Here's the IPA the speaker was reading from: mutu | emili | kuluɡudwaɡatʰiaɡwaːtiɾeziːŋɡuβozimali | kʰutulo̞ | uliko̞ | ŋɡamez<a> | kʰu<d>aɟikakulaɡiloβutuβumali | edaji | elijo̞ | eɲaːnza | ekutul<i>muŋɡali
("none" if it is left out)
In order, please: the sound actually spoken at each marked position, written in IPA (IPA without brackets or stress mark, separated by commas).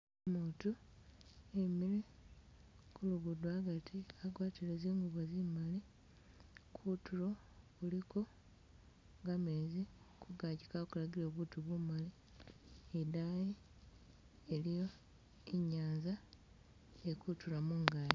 i, ɡ, a